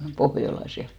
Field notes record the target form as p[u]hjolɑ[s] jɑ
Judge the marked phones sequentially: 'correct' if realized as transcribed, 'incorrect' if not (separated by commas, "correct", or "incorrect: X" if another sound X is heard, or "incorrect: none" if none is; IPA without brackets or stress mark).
incorrect: o, correct